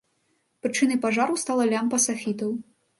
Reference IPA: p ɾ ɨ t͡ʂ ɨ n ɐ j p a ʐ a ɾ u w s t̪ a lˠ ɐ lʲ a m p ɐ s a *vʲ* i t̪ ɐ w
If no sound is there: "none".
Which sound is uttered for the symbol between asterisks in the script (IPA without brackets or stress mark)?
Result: fʲ